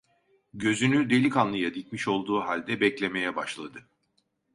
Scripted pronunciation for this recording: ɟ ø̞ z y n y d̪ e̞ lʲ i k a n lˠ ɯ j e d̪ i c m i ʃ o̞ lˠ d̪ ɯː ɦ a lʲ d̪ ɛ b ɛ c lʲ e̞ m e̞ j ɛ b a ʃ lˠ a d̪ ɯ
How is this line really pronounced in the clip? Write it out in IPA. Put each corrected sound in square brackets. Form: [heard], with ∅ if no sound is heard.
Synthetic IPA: ɟ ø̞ z y n y d̪ e̞ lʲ i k a n lˠ ɯ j [a] d̪ i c m i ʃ o̞ lˠ d̪ [uː] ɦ a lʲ d̪ ɛ b ɛ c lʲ e̞ m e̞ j ɛ b a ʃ lˠ a d̪ ɯ